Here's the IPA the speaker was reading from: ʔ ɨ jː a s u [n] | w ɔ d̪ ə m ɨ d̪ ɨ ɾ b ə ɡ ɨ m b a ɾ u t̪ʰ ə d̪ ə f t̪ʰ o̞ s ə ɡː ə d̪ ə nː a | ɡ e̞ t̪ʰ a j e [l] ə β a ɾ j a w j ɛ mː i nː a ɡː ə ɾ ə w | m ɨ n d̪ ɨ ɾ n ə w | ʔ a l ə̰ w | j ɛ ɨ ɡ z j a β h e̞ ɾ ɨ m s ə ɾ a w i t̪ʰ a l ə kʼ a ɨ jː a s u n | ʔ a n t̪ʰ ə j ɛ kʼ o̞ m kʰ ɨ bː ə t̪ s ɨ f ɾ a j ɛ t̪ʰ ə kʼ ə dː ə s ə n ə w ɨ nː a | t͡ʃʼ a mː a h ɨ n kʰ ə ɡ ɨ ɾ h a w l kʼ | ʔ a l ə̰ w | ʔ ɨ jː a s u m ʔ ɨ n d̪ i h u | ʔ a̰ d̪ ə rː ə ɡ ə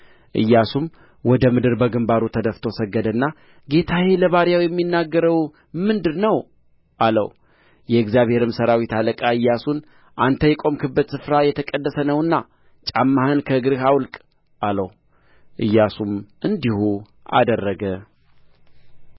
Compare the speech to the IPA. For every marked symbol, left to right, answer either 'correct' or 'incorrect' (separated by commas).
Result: incorrect, correct